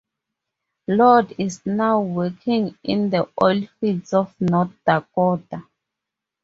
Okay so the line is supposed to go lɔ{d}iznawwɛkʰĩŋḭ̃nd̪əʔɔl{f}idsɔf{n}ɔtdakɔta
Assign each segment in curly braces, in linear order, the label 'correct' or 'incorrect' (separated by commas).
correct, correct, correct